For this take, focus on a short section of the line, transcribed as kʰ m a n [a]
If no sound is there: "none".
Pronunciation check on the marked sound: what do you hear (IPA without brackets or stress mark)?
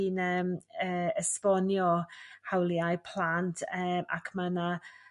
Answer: a